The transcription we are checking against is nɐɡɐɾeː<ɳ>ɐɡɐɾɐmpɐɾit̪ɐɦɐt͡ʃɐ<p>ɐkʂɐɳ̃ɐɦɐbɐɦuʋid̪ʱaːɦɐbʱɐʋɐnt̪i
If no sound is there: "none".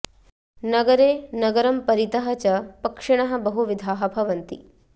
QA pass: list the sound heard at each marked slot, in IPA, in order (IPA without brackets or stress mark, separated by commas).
n, p